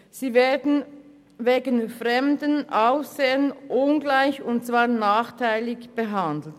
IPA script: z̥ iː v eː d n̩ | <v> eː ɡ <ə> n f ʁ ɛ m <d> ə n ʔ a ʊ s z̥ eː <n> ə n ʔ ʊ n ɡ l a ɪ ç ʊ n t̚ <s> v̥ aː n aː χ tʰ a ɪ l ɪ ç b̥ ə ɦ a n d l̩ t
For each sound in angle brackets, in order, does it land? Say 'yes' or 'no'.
yes, yes, yes, no, no

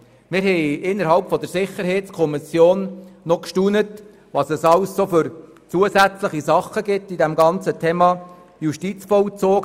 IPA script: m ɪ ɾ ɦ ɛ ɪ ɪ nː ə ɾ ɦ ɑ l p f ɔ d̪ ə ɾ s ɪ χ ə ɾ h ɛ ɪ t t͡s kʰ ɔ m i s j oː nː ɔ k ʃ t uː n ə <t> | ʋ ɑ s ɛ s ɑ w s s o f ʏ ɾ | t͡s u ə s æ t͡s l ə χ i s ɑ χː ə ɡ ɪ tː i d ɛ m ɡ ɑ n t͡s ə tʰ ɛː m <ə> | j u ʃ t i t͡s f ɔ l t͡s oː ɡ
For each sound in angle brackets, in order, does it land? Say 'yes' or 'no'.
yes, no

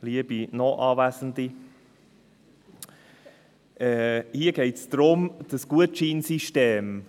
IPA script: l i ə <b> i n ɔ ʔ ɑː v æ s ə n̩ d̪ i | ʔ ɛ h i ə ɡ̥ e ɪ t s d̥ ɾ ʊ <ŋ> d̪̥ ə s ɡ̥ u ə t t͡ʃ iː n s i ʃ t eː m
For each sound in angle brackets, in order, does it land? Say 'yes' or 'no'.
yes, no

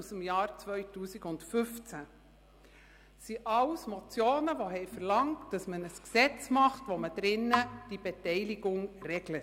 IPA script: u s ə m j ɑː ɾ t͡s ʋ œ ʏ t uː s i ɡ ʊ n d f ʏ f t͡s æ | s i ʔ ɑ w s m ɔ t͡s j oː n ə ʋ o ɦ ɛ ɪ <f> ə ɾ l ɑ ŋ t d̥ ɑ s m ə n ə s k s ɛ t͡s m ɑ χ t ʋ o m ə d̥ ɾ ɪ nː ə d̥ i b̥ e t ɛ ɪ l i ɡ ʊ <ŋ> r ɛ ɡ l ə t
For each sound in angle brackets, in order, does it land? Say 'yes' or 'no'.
yes, yes

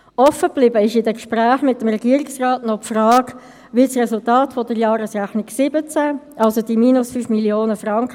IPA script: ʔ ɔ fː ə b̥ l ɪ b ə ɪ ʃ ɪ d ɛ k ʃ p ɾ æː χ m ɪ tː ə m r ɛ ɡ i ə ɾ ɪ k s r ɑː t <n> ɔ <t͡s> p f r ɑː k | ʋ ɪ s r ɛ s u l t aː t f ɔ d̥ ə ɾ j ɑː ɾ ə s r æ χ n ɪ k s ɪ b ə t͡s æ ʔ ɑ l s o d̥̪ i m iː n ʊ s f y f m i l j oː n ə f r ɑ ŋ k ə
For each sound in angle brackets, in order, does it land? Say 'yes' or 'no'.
yes, no

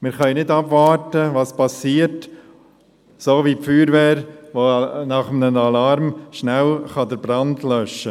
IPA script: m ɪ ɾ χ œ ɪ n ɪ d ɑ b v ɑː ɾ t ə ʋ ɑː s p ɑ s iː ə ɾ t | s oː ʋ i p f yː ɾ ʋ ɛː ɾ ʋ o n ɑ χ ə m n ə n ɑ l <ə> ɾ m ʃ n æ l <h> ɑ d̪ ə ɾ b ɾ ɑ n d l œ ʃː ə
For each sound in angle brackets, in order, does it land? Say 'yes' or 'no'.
no, no

